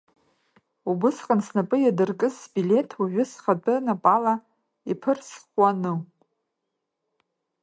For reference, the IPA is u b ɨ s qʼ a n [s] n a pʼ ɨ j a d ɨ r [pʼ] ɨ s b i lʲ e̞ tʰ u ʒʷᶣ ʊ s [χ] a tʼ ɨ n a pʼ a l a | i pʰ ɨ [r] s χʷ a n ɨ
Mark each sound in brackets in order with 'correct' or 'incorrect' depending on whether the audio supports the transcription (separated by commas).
correct, incorrect, correct, correct